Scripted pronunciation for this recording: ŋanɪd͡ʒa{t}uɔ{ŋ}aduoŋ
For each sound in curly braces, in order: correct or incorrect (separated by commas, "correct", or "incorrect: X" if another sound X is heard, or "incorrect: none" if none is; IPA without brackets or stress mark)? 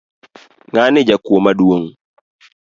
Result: incorrect: k, incorrect: m